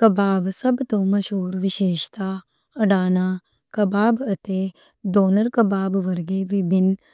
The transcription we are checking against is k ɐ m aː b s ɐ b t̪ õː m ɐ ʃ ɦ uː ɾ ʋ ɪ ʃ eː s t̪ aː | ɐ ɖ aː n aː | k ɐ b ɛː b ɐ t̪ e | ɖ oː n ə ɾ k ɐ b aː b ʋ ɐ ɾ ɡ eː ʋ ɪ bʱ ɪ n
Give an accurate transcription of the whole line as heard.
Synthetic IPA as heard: k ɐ b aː b s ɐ b t̪ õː m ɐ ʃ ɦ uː ɾ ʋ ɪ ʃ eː ʃ t̪ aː | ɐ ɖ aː n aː | k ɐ b aː b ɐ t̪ e | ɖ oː n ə ɾ k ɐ b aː b ʋ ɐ ɾ ɡ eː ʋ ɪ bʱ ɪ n